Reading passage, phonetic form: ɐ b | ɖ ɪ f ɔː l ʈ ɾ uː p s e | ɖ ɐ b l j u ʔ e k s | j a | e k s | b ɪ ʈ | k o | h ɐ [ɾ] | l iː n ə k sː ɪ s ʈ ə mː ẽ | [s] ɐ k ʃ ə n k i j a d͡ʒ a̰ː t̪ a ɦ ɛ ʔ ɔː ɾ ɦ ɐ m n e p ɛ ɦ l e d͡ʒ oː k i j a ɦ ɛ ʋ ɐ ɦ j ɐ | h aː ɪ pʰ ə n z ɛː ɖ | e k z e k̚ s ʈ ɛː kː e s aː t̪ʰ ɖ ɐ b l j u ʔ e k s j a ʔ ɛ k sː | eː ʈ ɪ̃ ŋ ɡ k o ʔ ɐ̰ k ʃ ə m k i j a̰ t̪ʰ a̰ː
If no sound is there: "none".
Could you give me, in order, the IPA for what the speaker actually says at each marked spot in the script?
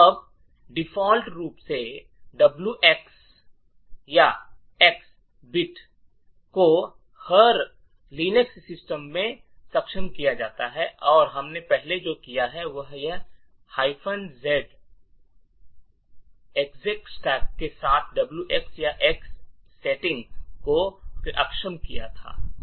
ɾ, s

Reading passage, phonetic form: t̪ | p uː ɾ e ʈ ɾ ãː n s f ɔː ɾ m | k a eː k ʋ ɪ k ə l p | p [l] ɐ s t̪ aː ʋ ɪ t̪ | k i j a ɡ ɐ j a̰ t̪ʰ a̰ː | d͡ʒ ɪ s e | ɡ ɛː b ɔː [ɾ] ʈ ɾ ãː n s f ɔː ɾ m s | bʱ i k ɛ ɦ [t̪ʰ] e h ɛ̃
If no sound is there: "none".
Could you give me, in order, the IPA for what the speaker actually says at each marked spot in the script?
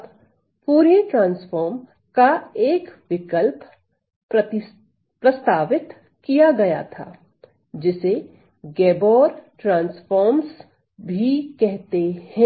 ɾ, ɾ, t̪

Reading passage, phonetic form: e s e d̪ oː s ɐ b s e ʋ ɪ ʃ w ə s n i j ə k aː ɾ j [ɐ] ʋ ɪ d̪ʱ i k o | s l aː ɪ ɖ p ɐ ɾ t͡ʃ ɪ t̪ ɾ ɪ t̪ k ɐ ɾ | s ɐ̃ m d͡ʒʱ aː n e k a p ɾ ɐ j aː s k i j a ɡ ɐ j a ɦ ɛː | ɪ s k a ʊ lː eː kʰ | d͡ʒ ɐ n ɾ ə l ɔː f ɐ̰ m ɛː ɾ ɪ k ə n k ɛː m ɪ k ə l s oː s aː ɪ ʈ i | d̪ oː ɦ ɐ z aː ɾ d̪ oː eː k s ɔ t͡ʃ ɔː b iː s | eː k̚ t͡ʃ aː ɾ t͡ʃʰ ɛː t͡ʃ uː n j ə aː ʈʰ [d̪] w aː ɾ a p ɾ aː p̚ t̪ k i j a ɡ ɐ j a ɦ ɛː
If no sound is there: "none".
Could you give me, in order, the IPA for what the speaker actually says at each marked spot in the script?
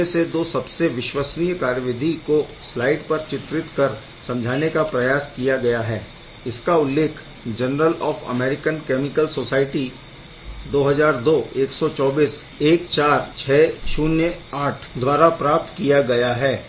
ə, d̪

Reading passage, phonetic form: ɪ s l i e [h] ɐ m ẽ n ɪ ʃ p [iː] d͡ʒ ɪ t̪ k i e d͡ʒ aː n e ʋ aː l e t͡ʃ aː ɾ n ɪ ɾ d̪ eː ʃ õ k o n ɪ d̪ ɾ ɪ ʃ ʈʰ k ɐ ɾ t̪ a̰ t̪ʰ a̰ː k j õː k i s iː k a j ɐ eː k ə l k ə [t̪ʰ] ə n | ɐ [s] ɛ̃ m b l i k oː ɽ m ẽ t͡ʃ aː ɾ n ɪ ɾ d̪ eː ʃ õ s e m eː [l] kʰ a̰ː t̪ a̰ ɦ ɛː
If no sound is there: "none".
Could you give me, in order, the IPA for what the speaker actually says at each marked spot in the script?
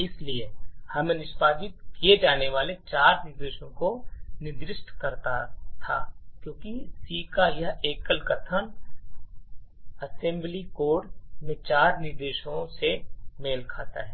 h, aː, t̪ʰ, s, l

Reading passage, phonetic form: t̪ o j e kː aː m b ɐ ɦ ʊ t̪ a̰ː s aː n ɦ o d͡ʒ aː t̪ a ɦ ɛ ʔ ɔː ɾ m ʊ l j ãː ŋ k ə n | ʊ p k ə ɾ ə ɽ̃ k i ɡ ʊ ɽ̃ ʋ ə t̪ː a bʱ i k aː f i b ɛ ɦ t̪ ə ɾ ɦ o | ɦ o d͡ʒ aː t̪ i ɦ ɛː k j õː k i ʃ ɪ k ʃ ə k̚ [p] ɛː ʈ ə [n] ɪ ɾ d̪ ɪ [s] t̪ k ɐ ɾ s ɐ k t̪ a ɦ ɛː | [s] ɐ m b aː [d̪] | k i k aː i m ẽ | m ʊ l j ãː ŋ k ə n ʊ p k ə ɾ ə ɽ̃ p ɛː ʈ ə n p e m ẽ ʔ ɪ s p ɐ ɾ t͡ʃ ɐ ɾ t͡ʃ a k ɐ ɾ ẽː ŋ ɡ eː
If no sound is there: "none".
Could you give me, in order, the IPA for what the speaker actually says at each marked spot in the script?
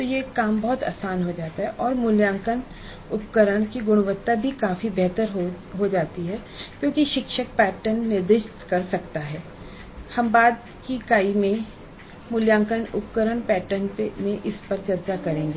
p, nː, ʃ, h, d̪

